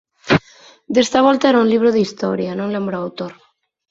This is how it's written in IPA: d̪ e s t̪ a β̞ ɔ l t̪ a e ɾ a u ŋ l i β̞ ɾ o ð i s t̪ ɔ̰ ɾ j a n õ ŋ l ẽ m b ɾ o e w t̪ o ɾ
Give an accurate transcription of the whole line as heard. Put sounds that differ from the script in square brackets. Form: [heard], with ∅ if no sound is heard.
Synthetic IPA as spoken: d̪ e s t̪ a β̞ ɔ l t̪ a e ɾ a u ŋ l i β̞ ɾ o ð i s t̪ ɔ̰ ɾ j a n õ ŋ l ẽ m b ɾ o [a] w t̪ o ɾ